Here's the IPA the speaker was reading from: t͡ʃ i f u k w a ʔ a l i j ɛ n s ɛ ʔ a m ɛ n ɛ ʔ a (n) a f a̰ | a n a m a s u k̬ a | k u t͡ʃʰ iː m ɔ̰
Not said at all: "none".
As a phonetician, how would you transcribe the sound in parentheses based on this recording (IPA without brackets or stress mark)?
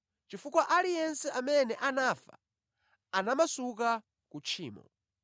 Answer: n